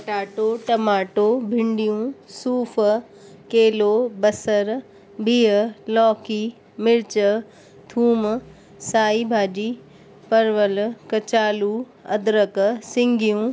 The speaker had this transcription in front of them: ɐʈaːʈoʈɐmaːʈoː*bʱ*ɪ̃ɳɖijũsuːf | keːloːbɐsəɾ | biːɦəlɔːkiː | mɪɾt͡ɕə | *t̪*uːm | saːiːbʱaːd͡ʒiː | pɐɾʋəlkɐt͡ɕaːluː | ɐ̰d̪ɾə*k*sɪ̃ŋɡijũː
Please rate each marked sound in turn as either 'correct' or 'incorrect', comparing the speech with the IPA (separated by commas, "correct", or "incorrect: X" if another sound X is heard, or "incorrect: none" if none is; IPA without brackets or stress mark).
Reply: correct, incorrect: t̪ʰ, correct